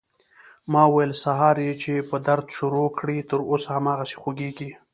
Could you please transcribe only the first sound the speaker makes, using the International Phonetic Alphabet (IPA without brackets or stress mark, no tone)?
m